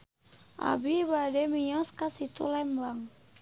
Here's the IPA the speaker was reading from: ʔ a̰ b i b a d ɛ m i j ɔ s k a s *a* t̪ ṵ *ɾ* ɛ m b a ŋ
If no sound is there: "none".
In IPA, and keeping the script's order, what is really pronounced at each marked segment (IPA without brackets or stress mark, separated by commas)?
i, l